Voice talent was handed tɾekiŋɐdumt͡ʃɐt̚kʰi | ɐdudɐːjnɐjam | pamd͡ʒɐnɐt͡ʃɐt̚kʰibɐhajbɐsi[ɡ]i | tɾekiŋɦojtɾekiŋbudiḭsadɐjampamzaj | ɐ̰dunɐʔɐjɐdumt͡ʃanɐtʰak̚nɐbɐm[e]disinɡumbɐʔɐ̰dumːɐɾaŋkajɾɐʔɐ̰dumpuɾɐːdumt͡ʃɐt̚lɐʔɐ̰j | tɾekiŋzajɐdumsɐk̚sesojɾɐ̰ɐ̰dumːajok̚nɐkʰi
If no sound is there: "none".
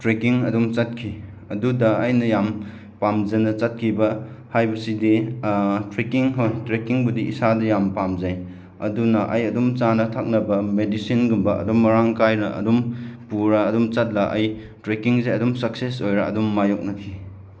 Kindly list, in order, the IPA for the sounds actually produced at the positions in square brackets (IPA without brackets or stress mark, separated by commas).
d, e